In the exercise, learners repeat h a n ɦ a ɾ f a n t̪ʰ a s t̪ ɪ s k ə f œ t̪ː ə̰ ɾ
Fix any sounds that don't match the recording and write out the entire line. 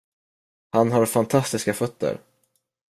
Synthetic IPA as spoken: h a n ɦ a ɾ f a n t̪ʰ a s t̪ ɪ s k a f œ t̪ː ə̰ ɾ